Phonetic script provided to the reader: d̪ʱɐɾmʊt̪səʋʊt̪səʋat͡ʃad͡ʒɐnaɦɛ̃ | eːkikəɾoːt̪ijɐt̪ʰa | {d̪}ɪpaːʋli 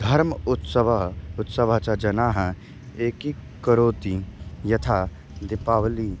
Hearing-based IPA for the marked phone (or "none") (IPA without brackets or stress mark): d̪